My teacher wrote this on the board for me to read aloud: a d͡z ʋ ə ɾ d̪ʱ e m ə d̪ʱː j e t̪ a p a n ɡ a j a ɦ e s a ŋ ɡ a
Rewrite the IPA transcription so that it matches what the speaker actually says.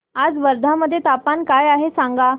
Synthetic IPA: a d͡z ʋ ə ɾ d̪ʱ a m ə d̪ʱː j e t̪ a p a n k a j a ɦ e s a ŋ ɡ a